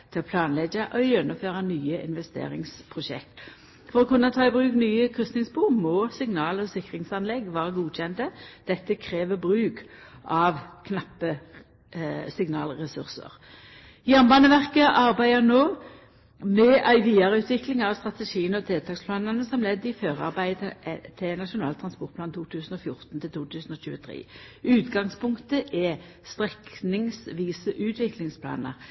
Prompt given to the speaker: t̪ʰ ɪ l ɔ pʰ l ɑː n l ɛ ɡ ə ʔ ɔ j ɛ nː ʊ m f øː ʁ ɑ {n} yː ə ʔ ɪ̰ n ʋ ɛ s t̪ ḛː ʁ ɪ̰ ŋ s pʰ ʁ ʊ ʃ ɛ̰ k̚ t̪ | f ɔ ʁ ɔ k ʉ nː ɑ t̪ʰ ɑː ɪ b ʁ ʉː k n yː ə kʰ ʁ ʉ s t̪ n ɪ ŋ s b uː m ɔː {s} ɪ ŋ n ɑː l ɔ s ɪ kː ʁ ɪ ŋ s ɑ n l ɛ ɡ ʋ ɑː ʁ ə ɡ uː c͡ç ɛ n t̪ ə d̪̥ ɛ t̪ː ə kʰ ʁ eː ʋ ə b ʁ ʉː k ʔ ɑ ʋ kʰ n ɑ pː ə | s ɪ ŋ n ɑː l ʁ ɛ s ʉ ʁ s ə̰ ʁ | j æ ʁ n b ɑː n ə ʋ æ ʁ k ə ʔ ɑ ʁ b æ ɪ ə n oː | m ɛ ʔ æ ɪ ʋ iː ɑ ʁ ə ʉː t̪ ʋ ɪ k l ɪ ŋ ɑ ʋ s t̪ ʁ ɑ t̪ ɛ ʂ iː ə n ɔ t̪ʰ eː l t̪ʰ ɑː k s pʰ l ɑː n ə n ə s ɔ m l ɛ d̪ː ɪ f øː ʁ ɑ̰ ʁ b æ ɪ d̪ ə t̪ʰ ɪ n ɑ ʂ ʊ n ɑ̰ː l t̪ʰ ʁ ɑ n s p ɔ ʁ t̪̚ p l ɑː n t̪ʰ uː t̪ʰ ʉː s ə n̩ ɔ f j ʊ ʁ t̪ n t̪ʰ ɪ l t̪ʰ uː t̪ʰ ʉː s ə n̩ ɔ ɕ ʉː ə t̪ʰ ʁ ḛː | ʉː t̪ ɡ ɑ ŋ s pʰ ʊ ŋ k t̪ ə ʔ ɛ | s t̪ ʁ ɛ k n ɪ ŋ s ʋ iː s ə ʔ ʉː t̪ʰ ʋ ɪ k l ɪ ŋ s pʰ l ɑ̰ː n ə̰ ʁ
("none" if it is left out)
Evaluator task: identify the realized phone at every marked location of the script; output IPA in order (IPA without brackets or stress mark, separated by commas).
n, s